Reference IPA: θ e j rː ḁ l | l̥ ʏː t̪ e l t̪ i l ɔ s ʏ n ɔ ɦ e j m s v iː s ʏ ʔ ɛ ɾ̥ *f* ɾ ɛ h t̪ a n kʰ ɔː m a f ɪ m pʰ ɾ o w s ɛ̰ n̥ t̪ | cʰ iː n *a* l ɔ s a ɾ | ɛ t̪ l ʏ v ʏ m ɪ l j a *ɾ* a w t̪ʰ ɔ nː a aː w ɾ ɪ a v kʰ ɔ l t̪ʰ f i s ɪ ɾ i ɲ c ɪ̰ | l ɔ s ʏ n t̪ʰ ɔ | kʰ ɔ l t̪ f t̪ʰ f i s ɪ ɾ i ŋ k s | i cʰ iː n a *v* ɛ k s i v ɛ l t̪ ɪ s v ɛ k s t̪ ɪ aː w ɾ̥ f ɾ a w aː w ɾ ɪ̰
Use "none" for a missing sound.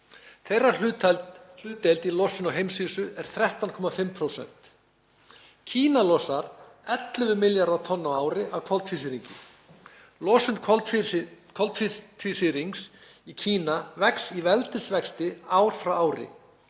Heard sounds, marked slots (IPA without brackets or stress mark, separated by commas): θ, a, ɾ, v